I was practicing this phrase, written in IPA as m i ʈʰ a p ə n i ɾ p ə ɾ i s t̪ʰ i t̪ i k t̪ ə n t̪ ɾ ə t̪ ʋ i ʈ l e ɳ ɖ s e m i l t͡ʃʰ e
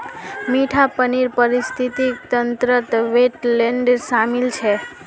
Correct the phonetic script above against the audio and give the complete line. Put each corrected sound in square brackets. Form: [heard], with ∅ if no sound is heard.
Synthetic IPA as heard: m i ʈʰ a p ə n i ɾ p ə ɾ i s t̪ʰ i t̪ i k t̪ ə n t̪ ɾ ə t̪ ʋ [e] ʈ l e ɳ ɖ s [a] m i l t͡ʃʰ e